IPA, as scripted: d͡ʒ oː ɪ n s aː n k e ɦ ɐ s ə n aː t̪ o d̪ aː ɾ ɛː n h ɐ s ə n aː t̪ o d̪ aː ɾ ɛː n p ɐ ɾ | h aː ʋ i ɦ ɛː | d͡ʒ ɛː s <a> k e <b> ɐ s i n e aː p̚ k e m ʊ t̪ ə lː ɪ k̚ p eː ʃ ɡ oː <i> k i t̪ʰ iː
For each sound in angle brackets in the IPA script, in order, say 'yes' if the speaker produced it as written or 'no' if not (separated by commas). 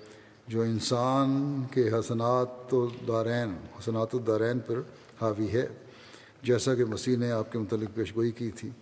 yes, no, yes